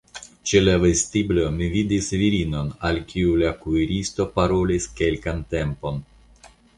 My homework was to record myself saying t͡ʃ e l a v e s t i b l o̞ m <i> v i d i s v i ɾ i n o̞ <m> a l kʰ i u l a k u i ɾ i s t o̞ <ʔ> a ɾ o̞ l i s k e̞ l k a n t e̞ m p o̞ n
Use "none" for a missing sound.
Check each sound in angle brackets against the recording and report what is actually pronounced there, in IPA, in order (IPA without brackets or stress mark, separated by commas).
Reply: i, n, p